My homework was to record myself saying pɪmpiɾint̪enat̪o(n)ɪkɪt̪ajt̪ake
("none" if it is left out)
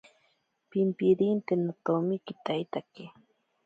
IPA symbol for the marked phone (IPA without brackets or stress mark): m